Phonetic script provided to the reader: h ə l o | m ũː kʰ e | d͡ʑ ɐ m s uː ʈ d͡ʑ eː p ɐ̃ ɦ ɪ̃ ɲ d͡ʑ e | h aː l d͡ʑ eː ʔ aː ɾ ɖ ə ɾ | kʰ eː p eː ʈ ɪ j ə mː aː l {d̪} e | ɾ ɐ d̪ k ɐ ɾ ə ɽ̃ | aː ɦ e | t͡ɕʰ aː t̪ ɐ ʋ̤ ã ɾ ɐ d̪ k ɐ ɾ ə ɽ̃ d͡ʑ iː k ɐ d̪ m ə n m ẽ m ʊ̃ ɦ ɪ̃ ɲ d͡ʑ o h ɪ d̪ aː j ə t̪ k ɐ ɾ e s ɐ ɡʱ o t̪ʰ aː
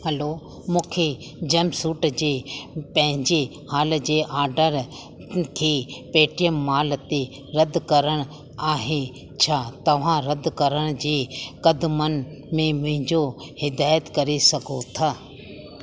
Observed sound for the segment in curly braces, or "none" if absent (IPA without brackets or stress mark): t̪